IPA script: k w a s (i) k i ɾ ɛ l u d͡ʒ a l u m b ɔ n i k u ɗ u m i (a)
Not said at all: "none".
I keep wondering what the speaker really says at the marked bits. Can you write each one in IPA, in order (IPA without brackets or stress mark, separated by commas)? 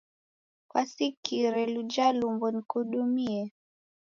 i, ɛ